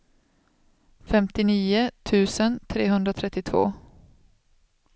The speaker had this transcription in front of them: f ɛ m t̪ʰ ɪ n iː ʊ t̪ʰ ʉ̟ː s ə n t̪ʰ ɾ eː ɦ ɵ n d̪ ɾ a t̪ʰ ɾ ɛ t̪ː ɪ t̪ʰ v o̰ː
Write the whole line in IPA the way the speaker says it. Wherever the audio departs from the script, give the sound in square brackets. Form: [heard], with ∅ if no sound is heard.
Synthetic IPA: f ɛ m [t̪] ɪ n iː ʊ t̪ʰ ʉ̟ː s ə n t̪ʰ ɾ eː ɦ ɵ n d̪ ɾ a t̪ʰ ɾ ɛ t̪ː ɪ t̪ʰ v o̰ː